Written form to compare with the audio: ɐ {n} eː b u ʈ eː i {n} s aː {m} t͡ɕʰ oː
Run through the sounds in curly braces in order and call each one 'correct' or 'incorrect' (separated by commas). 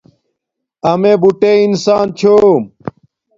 incorrect, correct, incorrect